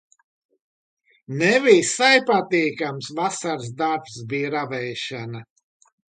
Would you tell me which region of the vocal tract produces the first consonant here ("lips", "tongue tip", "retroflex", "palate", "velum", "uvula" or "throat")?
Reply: tongue tip